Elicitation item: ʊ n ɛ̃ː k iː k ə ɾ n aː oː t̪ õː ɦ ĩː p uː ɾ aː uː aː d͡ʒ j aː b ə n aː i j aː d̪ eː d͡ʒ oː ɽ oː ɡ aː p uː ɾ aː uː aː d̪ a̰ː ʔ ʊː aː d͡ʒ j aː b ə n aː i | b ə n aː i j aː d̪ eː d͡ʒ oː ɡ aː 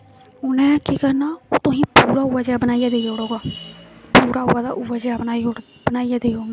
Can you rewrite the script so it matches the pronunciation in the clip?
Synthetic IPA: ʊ n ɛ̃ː k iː k ə ɾ n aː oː t̪ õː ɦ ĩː p uː ɾ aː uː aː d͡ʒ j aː b ə n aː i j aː d̪ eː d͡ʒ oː ɽ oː ɡ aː p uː ɾ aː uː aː d̪ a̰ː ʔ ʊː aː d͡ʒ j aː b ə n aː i | b ə n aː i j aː d̪ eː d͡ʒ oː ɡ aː